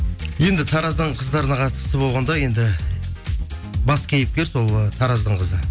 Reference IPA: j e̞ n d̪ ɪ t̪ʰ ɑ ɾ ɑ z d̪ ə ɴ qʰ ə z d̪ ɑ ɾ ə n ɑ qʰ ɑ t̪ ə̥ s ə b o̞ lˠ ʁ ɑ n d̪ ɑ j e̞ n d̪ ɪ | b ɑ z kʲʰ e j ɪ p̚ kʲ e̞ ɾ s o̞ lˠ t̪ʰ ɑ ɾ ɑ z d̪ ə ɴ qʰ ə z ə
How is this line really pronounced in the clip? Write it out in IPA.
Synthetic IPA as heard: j e̞ n d̪ ɪ t̪ʰ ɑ ɾ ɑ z d̪ ə ɴ qʰ ə z d̪ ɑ ɾ ə n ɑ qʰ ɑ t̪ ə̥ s ə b o̞ lˠ ʁ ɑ n d̪ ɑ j e̞ n d̪ ɪ | b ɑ s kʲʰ e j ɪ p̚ kʲ e̞ ɾ s o̞ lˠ t̪ʰ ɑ ɾ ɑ z d̪ ə ɴ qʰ ə z ə